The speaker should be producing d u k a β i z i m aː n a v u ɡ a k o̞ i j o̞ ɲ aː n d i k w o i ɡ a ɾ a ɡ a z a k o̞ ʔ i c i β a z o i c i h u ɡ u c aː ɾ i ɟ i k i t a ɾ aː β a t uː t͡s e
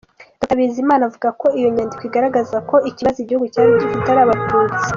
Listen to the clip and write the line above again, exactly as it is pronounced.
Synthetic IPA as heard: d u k a β i z i m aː n a v u ɡ a k o̞ i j o̞ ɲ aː n d i k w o i ɡ a ɾ a ɡ a z a k o̞ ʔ i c i β a z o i ɟ i h u ɡ u c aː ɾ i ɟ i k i t a ɾ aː β a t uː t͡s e